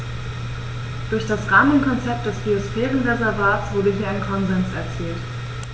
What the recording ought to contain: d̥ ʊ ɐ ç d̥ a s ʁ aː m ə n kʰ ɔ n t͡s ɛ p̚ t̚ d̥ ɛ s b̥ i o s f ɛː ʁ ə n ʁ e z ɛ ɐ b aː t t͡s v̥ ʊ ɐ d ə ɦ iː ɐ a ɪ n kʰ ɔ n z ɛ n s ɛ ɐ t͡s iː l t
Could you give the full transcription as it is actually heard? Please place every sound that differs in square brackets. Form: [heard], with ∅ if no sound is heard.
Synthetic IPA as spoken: d̥ ʊ ɐ ç d̥ a s ʁ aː m ə n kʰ ɔ n t͡s ɛ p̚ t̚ d̥ ɛ s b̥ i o s f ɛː ʁ ə n ʁ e z ɛ ɐ [v] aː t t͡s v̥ ʊ ɐ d ə ɦ iː ɐ a ɪ n kʰ ɔ n z ɛ n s ɛ ɐ t͡s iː l t